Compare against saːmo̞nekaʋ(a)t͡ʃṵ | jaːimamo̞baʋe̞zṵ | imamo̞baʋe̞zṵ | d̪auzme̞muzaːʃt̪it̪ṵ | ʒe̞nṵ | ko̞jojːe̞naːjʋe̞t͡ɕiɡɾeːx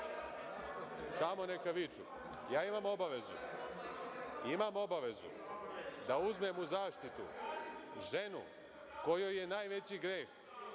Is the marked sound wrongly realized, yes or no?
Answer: yes